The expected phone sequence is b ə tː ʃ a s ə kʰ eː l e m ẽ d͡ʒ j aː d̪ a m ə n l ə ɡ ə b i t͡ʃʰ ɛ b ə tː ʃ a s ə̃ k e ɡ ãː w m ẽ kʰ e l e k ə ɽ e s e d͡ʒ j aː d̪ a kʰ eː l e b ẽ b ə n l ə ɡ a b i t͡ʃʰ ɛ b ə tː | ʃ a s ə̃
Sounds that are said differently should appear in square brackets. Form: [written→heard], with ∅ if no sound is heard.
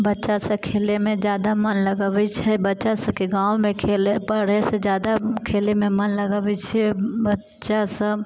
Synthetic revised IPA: b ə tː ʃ a s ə kʰ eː l e m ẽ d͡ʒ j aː d̪ a m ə n l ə ɡ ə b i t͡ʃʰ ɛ b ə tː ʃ a s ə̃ k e ɡ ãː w m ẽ kʰ e l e [k→p] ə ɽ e s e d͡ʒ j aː d̪ a kʰ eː l e [b→m] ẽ [b→m] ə n l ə ɡ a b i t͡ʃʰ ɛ b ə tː | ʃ a s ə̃